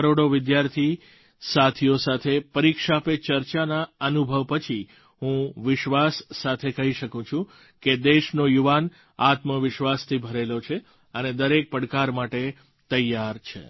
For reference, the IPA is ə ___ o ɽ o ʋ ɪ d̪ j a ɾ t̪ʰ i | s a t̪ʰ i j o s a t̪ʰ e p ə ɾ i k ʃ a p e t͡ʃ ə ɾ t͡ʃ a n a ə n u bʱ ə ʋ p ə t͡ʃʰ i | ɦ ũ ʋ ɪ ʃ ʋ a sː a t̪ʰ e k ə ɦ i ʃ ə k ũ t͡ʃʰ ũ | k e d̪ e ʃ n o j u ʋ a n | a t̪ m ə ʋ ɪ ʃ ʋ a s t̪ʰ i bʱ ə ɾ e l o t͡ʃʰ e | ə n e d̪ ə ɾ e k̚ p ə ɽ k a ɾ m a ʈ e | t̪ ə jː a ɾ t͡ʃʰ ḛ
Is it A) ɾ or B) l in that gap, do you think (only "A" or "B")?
A